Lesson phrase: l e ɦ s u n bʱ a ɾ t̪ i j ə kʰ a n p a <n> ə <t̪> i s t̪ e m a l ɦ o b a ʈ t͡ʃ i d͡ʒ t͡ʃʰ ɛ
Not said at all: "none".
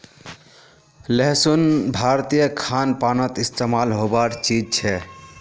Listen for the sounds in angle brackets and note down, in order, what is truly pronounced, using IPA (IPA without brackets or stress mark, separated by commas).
n, t̪